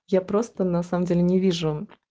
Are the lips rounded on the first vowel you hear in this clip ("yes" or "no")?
no